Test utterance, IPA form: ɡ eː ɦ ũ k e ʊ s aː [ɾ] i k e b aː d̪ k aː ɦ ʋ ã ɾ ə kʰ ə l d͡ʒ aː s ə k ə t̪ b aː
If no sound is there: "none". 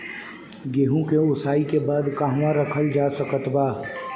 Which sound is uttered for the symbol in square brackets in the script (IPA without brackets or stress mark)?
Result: none